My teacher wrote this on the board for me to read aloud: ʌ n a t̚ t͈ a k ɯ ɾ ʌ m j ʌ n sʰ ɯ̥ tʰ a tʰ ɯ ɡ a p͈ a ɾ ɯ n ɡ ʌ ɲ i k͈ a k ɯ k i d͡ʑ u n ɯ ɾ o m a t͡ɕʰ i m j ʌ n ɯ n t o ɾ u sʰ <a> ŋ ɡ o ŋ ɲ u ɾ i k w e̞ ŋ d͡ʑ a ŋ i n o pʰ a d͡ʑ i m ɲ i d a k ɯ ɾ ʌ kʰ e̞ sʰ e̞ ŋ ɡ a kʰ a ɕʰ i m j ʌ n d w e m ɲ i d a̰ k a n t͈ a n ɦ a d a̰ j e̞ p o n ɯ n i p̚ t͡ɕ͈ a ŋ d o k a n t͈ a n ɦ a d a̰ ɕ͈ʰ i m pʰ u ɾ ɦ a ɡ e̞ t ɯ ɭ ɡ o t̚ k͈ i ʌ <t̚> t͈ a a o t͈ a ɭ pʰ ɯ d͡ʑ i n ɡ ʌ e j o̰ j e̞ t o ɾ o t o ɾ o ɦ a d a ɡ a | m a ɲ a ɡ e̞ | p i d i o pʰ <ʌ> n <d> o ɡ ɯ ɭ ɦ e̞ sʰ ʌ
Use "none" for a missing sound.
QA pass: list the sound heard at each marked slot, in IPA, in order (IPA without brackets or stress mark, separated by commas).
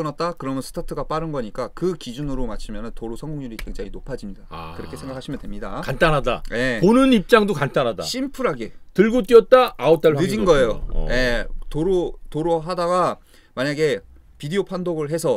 ʌ, t̚, a, d